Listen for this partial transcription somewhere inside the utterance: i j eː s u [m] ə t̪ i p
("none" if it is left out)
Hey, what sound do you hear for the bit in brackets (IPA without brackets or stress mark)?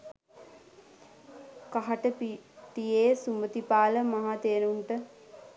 m